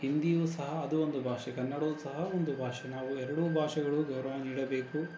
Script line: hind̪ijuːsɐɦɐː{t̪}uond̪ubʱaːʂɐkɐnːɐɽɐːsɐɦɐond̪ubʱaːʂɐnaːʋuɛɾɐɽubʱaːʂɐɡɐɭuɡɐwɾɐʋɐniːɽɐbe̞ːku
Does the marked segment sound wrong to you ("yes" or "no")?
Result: yes